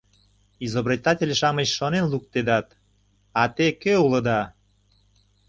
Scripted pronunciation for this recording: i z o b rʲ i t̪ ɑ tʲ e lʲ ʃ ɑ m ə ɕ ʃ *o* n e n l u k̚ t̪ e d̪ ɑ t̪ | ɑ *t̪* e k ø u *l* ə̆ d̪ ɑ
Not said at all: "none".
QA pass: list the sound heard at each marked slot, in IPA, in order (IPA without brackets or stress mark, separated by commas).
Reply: o, t̪, l